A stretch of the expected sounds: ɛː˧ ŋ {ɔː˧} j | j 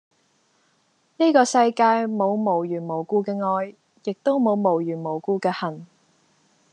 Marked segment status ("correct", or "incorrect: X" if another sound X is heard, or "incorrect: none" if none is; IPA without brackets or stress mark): correct